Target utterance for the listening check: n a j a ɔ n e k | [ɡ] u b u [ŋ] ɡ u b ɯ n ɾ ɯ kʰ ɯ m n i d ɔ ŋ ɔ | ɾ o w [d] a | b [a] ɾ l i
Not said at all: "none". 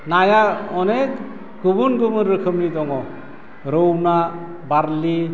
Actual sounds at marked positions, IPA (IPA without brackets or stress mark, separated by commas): ɡ, n, n, a